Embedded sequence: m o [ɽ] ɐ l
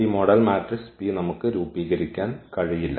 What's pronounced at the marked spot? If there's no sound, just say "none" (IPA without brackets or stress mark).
ɽ